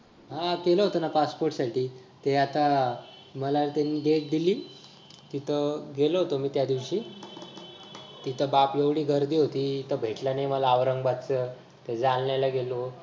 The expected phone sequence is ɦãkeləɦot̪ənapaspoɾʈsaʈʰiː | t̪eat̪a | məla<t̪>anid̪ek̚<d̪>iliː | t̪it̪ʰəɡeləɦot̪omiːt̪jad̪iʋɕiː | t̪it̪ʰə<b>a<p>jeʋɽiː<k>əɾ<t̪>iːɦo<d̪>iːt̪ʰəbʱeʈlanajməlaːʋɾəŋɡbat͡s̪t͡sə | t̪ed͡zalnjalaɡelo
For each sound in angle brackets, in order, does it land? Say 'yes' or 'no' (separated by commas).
yes, yes, yes, yes, no, no, no